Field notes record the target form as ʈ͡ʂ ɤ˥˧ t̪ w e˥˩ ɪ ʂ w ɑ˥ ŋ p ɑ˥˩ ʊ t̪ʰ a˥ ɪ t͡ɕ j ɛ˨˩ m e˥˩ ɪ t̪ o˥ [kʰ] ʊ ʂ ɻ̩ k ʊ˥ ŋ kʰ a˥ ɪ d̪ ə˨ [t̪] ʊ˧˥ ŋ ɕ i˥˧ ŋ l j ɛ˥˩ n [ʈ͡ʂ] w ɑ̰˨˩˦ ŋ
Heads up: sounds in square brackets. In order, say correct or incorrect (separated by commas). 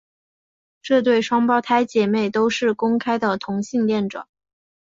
incorrect, incorrect, correct